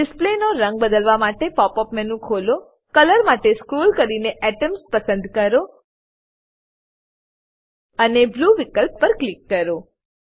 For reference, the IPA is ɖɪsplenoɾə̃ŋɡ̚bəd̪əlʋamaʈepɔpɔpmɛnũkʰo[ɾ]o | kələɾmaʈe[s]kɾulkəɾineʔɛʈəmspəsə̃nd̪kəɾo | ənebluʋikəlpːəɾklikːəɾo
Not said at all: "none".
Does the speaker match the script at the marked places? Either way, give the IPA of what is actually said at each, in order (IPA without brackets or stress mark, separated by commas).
l, s